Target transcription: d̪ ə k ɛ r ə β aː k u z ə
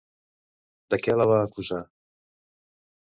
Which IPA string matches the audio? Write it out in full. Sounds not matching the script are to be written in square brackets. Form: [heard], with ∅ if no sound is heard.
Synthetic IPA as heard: d̪ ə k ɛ [l] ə β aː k u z [a]